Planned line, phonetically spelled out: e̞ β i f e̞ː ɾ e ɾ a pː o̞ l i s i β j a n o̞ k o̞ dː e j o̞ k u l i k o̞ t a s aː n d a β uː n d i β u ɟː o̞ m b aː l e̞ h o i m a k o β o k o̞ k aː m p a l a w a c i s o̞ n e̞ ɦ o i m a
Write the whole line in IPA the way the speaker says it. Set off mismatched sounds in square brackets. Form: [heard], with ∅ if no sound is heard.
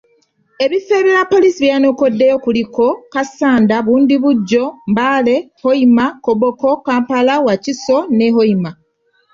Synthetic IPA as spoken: e̞ β i f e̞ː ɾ e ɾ a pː o̞ l i s i β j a n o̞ k o̞ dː e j o̞ k u l i k o̞ [k] a s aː n d a β uː n d i β u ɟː o̞ m b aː l e̞ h o i m a k o β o k o̞ k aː m p a l a w a c i s o̞ n e̞ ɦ o i m a